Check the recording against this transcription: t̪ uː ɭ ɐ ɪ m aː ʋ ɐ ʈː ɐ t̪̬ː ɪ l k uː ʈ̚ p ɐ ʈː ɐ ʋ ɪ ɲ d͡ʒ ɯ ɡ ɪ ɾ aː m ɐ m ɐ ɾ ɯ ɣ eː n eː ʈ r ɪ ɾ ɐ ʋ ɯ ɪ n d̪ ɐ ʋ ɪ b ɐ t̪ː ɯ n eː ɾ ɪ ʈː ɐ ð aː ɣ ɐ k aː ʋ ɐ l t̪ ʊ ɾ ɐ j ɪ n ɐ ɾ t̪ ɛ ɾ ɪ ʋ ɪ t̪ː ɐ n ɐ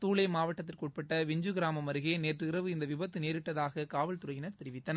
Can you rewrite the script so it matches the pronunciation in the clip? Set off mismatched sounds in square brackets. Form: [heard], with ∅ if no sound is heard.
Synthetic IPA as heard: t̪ uː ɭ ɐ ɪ m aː ʋ ɐ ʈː ɐ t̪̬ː ɪ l k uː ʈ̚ p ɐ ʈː ɐ ʋ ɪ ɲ d͡ʒ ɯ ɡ ɪ ɾ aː m ɐ m ɐ ɾ ɯ ɣ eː n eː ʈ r ɪ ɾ ɐ ʋ ɯ ɪ n d̪ ɐ ʋ ɪ b ɐ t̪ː ɯ n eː ɾ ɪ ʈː ɐ ð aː ɣ ɐ k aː ʋ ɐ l t̪ ʊ ɾ ɐ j ɪ n ɐ ɾ t̪ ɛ ɾ ɪ ʋ ɪ t̪ː ɐ n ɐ